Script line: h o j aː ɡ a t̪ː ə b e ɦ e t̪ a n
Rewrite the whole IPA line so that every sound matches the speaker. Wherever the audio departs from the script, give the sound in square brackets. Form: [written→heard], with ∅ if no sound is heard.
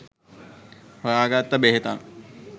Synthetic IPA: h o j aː ɡ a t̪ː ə b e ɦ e t̪ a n